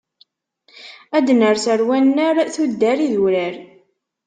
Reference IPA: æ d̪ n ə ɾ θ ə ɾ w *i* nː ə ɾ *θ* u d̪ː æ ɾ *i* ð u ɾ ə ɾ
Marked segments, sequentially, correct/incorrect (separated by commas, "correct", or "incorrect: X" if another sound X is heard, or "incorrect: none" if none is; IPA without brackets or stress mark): incorrect: æ, correct, correct